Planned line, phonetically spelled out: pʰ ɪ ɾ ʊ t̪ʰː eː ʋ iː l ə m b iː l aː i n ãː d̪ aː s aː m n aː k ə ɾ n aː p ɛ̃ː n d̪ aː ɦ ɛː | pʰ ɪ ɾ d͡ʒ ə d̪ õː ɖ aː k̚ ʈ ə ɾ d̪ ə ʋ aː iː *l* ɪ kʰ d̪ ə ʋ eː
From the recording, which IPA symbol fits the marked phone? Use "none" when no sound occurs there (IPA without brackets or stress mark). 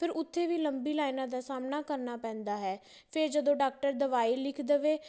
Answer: l